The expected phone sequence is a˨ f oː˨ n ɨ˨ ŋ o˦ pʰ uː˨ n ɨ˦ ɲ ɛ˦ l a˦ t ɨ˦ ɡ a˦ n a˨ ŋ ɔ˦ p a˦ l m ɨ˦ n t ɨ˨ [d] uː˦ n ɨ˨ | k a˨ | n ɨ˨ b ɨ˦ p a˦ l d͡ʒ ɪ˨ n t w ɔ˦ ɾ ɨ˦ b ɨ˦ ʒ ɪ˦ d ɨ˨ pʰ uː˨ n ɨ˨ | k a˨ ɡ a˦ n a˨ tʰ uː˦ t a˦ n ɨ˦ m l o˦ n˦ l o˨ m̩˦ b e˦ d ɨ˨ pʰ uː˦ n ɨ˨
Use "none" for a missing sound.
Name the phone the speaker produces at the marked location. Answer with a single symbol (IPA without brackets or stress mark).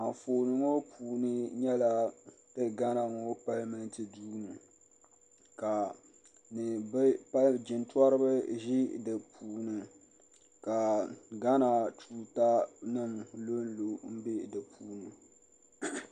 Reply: d